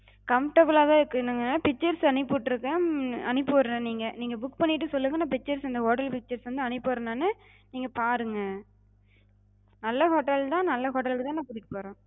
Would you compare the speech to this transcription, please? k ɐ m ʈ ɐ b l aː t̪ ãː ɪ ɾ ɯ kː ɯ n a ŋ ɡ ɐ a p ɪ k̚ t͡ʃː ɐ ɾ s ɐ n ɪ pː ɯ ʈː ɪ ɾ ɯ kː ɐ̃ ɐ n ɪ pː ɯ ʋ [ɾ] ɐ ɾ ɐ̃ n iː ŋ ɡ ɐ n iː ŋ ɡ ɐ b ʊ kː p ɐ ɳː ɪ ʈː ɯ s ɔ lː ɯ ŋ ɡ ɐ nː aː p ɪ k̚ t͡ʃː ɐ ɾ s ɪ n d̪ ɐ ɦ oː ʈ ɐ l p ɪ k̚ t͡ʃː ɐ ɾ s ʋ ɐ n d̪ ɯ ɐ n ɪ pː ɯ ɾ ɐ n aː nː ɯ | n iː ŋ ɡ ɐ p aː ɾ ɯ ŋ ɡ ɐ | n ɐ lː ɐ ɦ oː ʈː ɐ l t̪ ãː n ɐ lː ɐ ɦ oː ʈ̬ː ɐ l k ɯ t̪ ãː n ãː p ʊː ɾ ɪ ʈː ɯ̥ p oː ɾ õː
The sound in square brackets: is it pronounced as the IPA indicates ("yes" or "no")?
yes